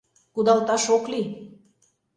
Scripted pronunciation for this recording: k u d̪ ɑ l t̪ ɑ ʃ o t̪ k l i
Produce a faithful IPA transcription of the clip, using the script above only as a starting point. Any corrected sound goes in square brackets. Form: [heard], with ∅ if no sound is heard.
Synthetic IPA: k u d̪ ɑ l t̪ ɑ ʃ o [∅] k l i